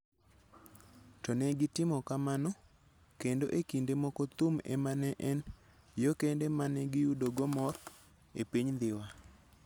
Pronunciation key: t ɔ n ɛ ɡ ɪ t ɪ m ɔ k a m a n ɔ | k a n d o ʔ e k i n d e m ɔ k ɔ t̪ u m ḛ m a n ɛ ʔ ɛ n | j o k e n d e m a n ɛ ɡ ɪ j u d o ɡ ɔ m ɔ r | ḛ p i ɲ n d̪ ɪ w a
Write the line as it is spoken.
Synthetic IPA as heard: t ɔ n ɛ ɡ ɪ t ɪ m ɔ k a m a n ɔ | k e n d o ʔ e k i n d e m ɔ k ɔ t̪ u m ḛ m a n ɛ ʔ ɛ n | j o k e n d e m a n ɛ ɡ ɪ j u d o ɡ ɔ m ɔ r | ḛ p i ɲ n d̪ ɪ w a